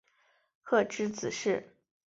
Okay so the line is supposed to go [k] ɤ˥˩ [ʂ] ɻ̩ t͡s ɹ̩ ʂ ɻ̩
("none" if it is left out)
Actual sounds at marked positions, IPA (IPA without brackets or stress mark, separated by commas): kʰ, ʈ͡ʂ